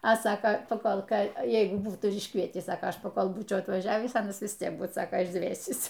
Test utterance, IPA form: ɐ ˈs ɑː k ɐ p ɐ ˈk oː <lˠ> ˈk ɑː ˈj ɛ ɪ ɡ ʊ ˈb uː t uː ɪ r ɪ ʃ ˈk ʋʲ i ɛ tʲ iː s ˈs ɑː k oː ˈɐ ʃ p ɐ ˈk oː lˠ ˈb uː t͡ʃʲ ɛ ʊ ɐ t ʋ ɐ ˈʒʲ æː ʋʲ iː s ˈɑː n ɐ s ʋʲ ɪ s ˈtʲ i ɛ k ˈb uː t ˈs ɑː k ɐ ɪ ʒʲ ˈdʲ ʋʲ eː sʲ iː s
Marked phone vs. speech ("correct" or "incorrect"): correct